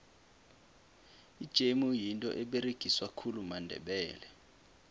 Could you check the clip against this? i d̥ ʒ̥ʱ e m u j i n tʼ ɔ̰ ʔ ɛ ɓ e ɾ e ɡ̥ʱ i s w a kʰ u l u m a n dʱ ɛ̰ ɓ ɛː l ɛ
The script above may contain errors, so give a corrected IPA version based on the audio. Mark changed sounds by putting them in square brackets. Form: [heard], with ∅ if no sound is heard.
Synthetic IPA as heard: i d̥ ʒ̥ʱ e m u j i n tʼ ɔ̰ ʔ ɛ ɓ e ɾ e ɡ̥ʱ i s w a kʰ u l u m a n dʱ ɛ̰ ɓ ɛː l ɛ